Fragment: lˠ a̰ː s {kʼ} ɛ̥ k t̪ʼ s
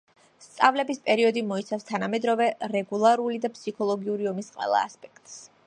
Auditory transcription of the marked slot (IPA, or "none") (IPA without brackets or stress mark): pʼ